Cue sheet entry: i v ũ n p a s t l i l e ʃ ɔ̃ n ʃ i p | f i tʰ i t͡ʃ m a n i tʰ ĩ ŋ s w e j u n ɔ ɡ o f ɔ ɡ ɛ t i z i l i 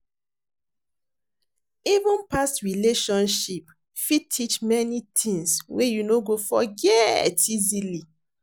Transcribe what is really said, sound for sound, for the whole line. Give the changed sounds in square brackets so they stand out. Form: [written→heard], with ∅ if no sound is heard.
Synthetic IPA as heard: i v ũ n p a s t [l→ɹ] i l e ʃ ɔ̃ n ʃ i p | f i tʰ i t͡ʃ m [a→ɛ] n i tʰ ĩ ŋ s w e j u n [ɔ→o] ɡ o f ɔ ɡ ɛ t i z i l i